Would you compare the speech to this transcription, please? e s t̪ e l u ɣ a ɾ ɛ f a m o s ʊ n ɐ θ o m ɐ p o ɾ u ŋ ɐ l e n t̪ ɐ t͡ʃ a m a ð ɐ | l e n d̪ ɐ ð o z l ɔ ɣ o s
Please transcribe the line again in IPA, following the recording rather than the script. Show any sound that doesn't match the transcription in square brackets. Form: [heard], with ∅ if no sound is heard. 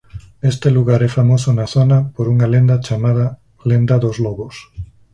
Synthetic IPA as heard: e s t̪ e l u ɣ a ɾ ɛ f a m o s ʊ n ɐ θ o [n] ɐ p o ɾ u ŋ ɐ l e n [d̪] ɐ t͡ʃ a m a ð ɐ | l e n d̪ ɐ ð o z l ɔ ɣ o s